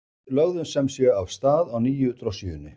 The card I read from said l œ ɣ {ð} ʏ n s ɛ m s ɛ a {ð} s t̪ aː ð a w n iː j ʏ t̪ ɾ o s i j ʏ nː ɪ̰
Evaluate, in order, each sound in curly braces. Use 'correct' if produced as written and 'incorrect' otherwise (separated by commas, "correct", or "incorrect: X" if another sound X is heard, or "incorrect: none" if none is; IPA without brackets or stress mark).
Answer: correct, incorrect: v